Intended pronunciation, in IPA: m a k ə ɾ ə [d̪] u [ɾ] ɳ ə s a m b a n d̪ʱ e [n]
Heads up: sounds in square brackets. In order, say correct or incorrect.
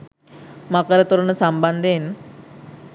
incorrect, correct, correct

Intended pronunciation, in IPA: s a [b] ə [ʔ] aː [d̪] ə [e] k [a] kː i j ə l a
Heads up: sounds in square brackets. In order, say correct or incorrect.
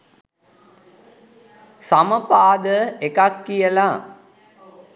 incorrect, incorrect, correct, correct, correct

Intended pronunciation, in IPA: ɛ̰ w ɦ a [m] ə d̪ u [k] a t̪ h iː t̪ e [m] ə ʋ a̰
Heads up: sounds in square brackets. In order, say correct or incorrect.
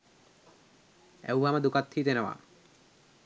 correct, correct, incorrect

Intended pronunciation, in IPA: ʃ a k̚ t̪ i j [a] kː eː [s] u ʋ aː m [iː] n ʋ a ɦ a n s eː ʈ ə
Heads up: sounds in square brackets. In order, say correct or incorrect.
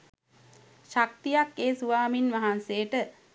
correct, correct, incorrect

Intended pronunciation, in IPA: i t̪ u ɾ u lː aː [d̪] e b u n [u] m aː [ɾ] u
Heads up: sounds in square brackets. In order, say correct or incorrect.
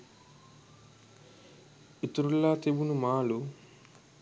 incorrect, correct, incorrect

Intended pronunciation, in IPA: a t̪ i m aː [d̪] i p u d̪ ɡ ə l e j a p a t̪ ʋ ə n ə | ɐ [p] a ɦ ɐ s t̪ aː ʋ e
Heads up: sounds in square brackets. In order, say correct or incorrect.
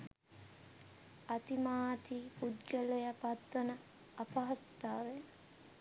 incorrect, correct

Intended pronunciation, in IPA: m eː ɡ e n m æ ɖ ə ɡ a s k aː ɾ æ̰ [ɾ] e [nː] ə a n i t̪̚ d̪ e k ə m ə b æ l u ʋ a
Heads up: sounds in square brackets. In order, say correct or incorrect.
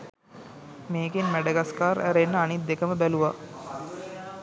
correct, correct

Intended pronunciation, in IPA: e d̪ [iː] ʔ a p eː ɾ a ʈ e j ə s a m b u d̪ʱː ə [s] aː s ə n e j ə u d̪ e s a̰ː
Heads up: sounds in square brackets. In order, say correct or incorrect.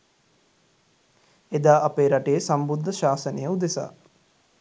incorrect, incorrect

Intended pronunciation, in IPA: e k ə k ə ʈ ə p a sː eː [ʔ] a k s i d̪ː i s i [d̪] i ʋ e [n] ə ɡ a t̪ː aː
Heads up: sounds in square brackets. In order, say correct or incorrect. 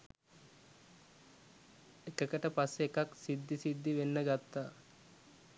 incorrect, incorrect, incorrect

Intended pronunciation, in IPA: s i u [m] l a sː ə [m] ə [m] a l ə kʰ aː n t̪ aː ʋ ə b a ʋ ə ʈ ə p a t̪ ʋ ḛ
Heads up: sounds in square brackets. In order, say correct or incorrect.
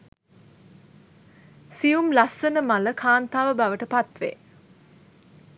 correct, incorrect, correct

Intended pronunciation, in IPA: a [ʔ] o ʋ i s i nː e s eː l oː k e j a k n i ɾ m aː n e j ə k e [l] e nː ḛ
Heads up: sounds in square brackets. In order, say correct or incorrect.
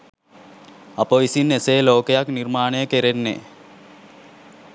incorrect, incorrect

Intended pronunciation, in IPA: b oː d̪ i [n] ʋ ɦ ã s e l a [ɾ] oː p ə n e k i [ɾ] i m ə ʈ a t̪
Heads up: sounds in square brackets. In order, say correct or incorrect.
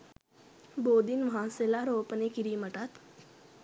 correct, correct, correct

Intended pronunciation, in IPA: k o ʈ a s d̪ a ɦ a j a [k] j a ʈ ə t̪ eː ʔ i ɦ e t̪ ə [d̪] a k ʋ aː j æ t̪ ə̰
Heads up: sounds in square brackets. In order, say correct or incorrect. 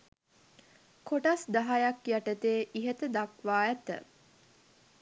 correct, correct

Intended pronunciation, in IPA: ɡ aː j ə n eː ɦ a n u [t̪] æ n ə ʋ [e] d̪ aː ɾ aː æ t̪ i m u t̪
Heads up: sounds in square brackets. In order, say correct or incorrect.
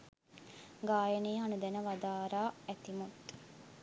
incorrect, incorrect

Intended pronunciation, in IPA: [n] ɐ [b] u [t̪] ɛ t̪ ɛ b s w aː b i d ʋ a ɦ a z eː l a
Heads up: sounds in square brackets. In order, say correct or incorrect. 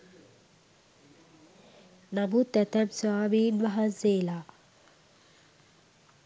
correct, correct, correct

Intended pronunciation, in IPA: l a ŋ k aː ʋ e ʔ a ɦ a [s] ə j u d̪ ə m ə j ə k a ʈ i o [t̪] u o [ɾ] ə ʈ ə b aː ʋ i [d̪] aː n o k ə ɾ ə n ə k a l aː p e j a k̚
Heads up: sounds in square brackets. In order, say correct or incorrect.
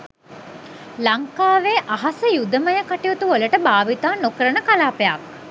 correct, correct, incorrect, incorrect

